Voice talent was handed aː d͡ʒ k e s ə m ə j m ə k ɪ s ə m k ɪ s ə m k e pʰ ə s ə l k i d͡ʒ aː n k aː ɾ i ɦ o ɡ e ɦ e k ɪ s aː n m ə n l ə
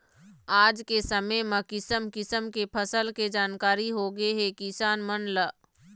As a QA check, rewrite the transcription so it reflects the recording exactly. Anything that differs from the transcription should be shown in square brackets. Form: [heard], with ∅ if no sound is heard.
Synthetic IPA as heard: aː d͡ʒ k e s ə m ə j m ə k ɪ s ə m k ɪ s ə m k e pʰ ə s ə l k [e] d͡ʒ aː n k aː ɾ i ɦ o ɡ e ɦ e k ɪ s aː n m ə n l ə